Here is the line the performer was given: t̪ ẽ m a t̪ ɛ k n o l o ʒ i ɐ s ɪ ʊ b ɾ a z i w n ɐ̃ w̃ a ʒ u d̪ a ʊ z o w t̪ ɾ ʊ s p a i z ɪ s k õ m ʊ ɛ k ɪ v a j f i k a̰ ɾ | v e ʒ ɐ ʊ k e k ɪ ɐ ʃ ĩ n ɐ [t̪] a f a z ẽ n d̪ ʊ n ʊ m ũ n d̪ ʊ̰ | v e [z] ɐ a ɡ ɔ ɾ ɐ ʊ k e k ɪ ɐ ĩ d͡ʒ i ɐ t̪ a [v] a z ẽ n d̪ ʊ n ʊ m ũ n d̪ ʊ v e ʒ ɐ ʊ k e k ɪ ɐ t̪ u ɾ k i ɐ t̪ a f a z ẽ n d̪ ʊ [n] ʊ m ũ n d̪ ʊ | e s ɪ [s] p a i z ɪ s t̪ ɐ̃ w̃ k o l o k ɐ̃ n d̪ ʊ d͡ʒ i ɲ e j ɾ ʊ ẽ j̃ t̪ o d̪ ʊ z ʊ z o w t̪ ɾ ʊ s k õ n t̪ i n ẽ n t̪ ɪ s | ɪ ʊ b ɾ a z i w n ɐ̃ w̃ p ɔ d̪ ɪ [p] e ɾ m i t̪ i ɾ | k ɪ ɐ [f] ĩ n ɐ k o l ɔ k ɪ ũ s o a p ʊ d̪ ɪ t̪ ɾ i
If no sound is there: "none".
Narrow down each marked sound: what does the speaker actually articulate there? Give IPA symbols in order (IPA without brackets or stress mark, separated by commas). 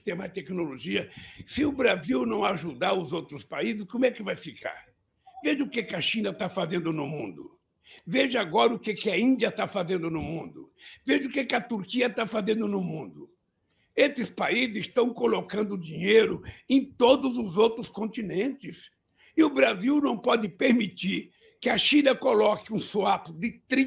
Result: t̪, ʒ, f, n, s, p, ʃ